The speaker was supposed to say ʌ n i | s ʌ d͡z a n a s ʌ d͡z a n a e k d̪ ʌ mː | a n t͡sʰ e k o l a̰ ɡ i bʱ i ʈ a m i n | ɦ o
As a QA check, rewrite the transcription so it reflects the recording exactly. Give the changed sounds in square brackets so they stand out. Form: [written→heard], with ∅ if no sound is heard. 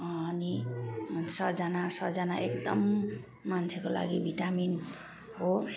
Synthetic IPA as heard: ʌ n i | s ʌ d͡z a n a s ʌ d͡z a n a e k d̪ ʌ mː | a n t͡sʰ e k o l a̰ ɡ i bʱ i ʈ a m i n | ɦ o